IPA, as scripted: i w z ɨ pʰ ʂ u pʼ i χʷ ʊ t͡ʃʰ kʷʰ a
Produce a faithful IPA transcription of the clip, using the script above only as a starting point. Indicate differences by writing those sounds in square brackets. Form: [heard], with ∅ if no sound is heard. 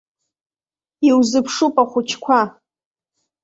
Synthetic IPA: i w z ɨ pʰ ʂ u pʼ [a] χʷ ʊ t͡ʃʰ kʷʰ a